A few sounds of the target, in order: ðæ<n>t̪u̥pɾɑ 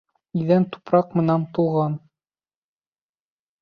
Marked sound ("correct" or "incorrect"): correct